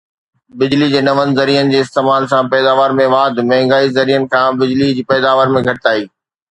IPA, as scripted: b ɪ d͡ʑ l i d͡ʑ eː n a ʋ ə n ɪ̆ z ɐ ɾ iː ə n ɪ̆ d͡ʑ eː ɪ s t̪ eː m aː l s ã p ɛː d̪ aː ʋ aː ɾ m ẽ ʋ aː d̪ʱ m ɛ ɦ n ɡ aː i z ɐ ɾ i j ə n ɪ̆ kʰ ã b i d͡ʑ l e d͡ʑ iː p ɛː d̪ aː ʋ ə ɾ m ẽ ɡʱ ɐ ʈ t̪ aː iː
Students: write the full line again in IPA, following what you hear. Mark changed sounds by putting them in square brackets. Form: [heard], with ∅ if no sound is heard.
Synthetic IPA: b ɪ d͡ʑ l i d͡ʑ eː n [ɐ] ʋ ə n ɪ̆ z ɐ ɾ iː ə n ɪ̆ d͡ʑ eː ɪ s t̪ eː m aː l s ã p ɛː d̪ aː ʋ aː ɾ m ẽ ʋ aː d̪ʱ m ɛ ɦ [ŋ] ɡ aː i z ɐ ɾ i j ə n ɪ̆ kʰ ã b [ɪ] d͡ʑ l [i] d͡ʑ iː p ɛː d̪ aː ʋ ə ɾ m ẽ ɡʱ ɐ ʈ t̪ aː iː